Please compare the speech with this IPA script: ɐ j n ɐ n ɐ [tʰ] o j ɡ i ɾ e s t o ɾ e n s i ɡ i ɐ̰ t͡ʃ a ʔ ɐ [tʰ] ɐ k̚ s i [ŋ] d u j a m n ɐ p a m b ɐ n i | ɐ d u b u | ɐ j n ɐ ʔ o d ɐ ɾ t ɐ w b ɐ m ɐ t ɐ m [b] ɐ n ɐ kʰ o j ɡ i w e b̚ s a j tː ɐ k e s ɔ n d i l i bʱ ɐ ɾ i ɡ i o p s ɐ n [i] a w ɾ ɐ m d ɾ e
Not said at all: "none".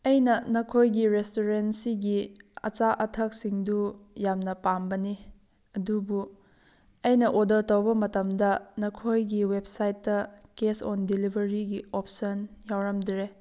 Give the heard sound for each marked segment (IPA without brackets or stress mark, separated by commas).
kʰ, tʰ, ŋ, d, j